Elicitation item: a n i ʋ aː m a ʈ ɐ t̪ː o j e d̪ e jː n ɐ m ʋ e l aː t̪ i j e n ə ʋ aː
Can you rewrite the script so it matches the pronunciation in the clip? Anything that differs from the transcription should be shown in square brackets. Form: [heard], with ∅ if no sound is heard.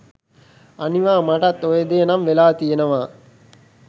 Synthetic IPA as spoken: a n i ʋ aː m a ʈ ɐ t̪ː o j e d̪ e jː n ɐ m ʋ e l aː t̪ i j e n ə ʋ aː